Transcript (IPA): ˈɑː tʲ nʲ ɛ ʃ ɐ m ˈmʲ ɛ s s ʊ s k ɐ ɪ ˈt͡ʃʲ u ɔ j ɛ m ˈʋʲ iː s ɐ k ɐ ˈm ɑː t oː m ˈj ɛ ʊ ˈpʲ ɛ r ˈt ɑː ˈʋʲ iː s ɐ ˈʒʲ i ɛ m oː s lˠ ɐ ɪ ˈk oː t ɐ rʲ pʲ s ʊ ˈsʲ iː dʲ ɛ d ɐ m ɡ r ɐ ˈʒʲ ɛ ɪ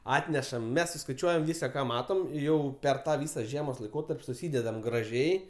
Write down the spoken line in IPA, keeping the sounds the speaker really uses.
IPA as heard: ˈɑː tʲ nʲ ɛ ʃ ɐ m ˈmʲ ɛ s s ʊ s k ɐ ɪ ˈt͡ʃʲ u ɔ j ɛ m ˈʋʲ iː s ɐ k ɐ ˈm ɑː t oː m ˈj ɛ ʊ ˈpʲ ɛ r ˈt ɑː ˈʋʲ iː s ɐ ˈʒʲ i ɛ m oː s lˠ ɐ ɪ ˈk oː t ɐ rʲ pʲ s ʊ ˈsʲ iː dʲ ɛ d ɐ m ɡ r ɐ ˈʒʲ ɛ ɪ